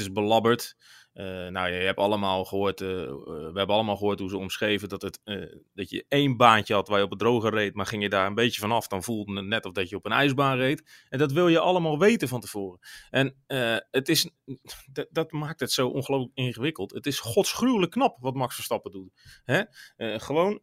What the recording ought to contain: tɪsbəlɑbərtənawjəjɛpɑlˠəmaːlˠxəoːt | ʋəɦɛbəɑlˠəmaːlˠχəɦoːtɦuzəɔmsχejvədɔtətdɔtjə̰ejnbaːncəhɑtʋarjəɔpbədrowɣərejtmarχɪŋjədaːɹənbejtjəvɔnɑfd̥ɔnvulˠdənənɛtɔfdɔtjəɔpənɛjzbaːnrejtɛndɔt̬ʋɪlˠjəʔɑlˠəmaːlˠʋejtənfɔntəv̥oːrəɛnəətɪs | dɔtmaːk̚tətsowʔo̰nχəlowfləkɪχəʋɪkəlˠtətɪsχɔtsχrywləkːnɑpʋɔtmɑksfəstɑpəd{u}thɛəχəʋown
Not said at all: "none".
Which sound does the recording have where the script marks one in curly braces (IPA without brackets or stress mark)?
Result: u